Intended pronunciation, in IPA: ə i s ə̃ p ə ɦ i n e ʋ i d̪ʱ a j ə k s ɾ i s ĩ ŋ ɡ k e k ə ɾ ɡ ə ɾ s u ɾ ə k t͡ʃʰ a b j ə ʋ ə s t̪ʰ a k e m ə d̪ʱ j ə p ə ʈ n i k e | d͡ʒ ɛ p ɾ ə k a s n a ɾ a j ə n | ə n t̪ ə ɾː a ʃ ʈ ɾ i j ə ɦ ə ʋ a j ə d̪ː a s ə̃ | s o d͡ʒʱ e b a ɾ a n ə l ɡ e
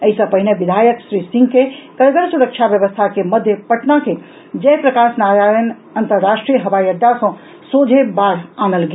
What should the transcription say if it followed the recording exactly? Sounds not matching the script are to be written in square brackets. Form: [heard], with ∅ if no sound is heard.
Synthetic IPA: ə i s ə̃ p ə ɦ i n e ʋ i d̪ʱ a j ə k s ɾ i s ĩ ŋ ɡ k e k ə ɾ ɡ ə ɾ s u ɾ ə k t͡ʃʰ a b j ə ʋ ə s t̪ʰ a k e m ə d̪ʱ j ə p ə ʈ n [a] k e | d͡ʒ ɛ p ɾ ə k a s n a ɾ a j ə n | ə n t̪ ə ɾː a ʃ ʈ ɾ i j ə ɦ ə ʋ a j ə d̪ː a s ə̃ | s o d͡ʒʱ e b a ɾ a n ə l ɡ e